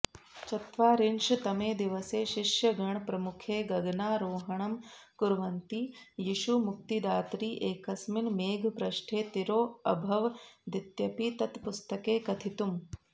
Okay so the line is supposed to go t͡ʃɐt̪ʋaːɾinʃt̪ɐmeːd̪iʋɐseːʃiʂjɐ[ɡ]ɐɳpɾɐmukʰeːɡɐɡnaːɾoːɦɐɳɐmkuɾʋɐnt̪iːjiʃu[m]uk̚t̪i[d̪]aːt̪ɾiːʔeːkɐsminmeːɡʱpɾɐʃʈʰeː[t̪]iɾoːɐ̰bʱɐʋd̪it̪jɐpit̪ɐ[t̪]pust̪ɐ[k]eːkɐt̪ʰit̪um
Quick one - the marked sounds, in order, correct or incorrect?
correct, correct, correct, correct, correct, correct

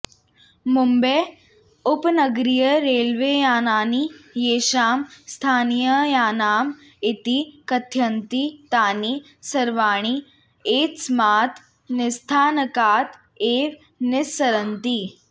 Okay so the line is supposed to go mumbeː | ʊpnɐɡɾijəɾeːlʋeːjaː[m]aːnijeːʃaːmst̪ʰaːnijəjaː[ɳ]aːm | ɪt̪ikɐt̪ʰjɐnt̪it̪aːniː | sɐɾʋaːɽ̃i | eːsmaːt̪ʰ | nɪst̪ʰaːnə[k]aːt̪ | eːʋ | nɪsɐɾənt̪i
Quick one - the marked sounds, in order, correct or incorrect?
incorrect: n, incorrect: n, correct

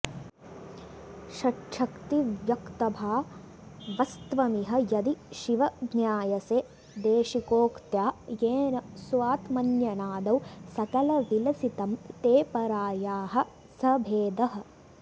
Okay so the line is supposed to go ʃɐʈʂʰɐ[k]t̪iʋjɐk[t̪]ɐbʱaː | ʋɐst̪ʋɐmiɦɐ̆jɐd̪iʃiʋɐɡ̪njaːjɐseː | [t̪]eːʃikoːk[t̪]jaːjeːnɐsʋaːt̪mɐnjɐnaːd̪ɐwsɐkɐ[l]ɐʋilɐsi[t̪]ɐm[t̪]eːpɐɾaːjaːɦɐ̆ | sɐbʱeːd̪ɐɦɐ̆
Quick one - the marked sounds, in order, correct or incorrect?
correct, correct, incorrect: d̪, correct, correct, correct, correct

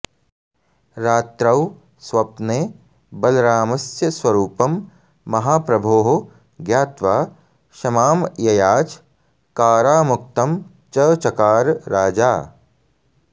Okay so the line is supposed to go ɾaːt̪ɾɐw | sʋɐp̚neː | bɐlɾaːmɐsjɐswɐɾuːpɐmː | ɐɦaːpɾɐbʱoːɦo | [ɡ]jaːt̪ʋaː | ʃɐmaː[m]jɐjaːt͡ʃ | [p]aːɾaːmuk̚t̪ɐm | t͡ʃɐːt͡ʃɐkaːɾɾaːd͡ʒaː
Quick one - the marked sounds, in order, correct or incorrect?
correct, correct, incorrect: k

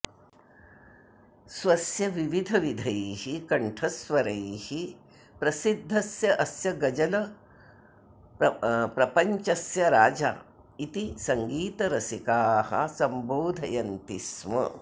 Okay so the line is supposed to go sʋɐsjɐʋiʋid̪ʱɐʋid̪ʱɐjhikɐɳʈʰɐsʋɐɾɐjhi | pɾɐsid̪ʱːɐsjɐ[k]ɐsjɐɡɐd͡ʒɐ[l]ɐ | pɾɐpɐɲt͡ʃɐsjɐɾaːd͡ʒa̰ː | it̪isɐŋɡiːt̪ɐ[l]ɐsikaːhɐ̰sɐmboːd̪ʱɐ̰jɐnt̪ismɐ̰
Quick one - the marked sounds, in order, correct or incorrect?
incorrect: ʔ, correct, incorrect: ɾ

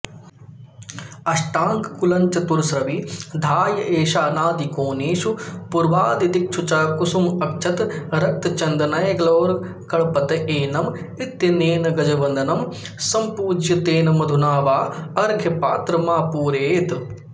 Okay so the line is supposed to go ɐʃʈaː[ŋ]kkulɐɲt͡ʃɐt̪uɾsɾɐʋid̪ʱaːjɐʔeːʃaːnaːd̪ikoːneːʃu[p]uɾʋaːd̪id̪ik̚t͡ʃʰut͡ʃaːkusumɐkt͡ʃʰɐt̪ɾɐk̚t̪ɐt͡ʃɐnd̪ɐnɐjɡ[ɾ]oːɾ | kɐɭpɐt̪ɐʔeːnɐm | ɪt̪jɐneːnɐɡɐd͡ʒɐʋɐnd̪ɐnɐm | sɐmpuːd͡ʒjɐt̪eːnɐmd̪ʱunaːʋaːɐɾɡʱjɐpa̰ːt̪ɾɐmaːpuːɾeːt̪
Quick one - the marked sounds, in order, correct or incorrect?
correct, correct, incorrect: l

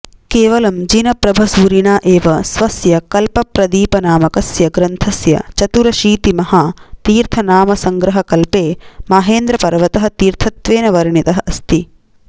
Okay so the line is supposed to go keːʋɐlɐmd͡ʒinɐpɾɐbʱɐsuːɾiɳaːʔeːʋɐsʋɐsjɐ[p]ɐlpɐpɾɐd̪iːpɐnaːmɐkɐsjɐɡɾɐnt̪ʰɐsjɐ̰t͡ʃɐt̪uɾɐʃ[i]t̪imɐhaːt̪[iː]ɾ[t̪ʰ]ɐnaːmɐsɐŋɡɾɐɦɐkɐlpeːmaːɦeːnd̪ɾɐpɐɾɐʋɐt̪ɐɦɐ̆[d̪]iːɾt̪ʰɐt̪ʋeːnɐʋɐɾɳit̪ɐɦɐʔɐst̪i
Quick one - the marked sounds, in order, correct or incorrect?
incorrect: k, incorrect: iː, correct, correct, incorrect: t̪

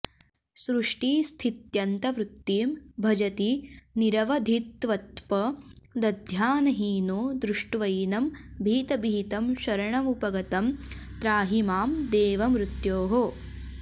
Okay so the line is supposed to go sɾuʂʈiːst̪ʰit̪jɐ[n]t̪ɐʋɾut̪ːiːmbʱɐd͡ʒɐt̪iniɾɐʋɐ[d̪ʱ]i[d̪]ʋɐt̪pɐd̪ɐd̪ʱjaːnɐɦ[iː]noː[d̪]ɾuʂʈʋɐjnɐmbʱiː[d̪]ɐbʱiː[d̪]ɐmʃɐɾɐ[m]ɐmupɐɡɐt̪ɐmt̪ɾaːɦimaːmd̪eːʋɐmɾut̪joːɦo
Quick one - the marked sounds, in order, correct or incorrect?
correct, correct, incorrect: t̪, correct, correct, incorrect: t̪, incorrect: t̪, incorrect: ɳ

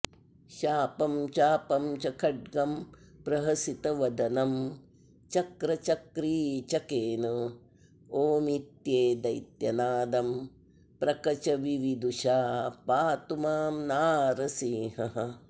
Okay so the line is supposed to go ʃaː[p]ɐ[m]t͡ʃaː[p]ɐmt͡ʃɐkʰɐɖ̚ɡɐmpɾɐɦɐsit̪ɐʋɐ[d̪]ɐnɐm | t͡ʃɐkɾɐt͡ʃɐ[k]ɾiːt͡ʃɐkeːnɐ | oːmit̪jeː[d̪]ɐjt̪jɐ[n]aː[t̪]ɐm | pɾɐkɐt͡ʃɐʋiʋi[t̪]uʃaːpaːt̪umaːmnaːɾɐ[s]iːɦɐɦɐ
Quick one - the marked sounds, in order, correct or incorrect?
correct, correct, correct, correct, correct, correct, correct, incorrect: d̪, incorrect: d̪, correct

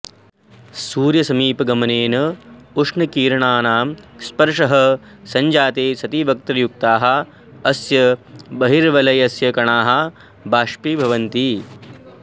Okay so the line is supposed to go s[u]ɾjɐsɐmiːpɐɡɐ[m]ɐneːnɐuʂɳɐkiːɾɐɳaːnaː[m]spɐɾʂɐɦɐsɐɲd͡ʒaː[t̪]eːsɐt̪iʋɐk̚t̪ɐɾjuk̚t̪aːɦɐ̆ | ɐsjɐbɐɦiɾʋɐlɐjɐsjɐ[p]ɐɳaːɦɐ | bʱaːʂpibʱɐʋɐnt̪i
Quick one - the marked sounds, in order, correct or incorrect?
incorrect: uː, correct, correct, correct, incorrect: k

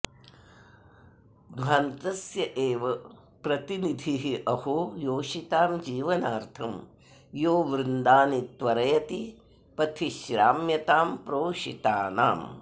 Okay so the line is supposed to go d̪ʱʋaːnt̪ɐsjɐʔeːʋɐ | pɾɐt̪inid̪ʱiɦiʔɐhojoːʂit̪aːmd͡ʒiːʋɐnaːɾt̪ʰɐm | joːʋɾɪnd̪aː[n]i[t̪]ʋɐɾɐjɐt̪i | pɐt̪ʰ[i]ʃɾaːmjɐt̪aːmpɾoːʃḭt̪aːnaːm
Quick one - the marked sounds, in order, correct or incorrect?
correct, correct, correct

